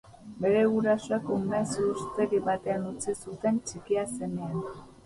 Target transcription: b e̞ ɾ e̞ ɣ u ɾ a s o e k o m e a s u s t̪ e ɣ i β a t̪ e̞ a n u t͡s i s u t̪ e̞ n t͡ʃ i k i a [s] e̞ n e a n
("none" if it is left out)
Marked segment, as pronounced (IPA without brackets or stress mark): s